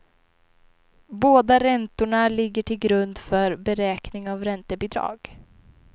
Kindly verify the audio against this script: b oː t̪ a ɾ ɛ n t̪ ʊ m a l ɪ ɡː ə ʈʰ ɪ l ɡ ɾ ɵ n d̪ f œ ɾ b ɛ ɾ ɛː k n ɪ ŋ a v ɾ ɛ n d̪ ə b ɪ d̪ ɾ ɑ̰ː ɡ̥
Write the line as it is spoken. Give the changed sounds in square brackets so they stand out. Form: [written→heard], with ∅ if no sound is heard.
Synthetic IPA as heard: b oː [t̪→d̪] a ɾ ɛ n t̪ ʊ [m→ɳ] a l ɪ ɡː ə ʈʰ ɪ l ɡ ɾ ɵ n d̪ f œ ɾ b ɛ ɾ ɛː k n ɪ ŋ a v ɾ ɛ n [d̪→t̪] ə b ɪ d̪ ɾ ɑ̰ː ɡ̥